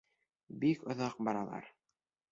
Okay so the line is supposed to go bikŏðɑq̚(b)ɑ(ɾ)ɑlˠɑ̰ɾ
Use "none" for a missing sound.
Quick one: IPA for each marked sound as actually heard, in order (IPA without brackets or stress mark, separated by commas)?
b, ɾ